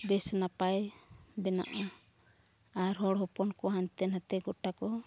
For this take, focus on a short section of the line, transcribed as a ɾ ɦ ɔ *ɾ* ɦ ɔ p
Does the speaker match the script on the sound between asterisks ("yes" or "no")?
no